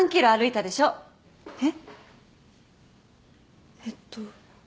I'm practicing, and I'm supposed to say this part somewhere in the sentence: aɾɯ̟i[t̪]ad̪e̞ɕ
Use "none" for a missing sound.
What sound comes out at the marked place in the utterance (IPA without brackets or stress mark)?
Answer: t̪